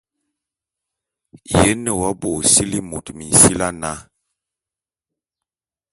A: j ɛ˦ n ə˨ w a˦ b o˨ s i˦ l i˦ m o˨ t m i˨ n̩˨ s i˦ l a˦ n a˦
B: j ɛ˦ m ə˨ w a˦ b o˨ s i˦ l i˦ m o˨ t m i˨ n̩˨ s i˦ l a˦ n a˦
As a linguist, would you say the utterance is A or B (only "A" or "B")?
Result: A